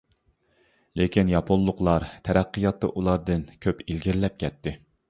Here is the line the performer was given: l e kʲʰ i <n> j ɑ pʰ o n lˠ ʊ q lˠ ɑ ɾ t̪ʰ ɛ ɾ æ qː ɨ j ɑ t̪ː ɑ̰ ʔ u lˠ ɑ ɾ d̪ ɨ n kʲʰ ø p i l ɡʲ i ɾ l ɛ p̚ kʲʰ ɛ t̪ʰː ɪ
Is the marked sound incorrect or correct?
correct